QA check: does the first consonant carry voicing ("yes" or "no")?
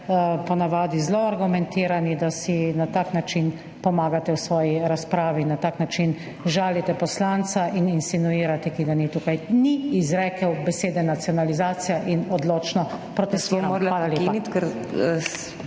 no